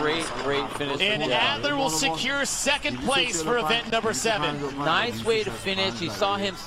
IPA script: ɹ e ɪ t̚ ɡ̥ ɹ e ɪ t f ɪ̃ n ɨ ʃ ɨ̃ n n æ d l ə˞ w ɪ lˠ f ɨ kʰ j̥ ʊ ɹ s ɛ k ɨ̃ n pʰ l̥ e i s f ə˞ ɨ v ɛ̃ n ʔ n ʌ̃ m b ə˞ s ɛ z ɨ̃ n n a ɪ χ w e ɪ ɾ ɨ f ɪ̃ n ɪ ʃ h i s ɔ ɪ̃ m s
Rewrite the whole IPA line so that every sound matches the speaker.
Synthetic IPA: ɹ e ɪ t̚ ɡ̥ ɹ e ɪ t f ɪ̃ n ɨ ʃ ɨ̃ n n æ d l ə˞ w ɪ lˠ s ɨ kʰ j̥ ʊ ɹ s ɛ k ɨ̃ n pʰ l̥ e ɪ s f ə˞ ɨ v ɛ̃ n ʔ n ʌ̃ m b ə˞ s ɛ v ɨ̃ n n a ɪ s w e ɪ ɾ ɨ f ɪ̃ n ɪ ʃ h i s ɔ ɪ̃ m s